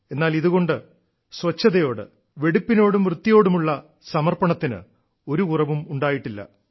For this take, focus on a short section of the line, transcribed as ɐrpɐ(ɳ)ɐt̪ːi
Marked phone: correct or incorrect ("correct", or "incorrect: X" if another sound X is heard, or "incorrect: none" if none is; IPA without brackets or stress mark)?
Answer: correct